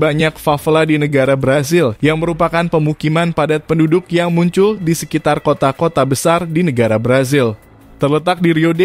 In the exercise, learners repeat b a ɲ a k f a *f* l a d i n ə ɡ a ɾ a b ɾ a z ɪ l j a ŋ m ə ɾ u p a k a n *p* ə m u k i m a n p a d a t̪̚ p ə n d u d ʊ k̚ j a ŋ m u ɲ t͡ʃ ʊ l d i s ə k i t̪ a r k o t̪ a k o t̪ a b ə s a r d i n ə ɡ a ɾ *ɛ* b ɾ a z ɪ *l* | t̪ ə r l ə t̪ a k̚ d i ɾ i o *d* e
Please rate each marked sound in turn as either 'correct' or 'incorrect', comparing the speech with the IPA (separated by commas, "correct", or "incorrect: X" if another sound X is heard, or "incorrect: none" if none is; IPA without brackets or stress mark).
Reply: correct, correct, incorrect: a, correct, correct